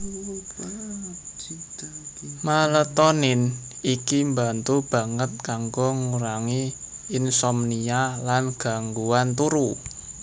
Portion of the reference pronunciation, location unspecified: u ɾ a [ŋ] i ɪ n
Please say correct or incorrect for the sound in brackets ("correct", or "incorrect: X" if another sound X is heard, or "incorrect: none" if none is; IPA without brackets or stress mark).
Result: correct